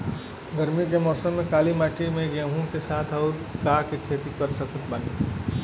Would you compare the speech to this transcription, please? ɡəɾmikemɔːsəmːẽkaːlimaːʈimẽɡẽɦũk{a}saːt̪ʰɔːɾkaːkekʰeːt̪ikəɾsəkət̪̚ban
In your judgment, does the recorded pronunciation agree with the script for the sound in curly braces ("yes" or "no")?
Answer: no